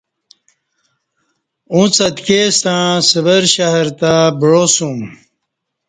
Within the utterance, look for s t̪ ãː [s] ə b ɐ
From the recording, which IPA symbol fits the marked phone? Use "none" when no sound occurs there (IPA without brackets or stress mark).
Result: s